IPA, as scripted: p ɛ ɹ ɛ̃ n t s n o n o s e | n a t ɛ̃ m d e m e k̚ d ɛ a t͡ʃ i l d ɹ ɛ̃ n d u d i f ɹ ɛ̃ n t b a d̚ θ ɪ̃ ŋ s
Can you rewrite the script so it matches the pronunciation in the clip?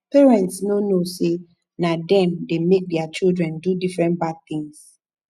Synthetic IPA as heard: p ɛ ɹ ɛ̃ n t s n o n o s e | n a d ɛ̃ m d e m e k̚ d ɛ a t͡ʃ i l d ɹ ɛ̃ n d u d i f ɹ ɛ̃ n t b a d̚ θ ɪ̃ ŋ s